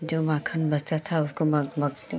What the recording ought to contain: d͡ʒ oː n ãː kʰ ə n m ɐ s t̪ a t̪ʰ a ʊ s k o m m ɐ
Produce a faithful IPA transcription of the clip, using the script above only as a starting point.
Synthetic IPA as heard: d͡ʒ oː m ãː kʰ ə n b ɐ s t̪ a t̪ʰ a ʊ s k o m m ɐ